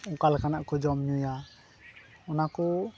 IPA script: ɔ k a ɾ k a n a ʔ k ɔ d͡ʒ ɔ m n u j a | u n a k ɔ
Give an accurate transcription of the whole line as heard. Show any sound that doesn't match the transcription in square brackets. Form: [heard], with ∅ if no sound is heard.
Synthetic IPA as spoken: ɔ k a [l] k a n a ʔ k ɔ d͡ʒ ɔ m [ɲ] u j a | [ɔ] n a k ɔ